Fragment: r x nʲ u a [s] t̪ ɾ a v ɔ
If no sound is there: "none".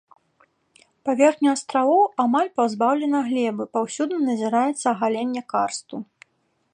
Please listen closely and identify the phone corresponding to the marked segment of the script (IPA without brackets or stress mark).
s